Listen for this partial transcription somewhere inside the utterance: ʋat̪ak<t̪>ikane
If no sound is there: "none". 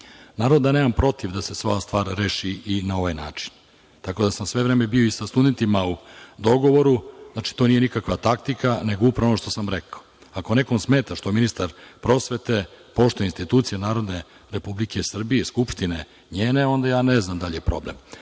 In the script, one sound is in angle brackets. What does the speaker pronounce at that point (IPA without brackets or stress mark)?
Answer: t̪